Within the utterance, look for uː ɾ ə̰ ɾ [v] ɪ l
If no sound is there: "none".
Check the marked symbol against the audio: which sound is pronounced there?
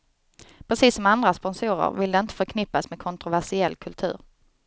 v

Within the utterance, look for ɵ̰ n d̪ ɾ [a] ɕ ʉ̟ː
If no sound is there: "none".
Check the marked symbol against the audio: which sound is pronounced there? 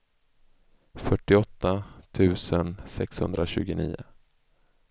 a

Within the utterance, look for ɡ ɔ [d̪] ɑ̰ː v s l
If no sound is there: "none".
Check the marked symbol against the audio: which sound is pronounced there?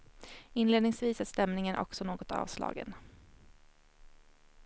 t̪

